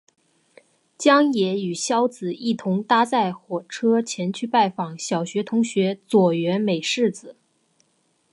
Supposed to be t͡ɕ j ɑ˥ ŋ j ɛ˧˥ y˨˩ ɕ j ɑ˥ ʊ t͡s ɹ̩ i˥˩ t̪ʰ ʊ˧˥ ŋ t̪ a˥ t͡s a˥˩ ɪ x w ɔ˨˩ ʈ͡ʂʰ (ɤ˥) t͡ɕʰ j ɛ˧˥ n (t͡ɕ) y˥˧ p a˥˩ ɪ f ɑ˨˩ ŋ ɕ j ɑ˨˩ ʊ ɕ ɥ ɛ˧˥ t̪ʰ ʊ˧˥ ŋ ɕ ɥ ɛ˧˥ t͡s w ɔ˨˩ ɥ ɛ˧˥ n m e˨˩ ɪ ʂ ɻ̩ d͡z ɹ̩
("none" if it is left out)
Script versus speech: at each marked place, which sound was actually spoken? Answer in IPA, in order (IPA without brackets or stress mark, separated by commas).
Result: ɤ˥, t͡ɕʰ